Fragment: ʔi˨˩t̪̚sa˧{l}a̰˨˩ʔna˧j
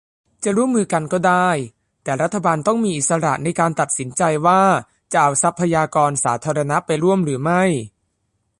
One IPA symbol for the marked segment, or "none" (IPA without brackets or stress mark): ɾ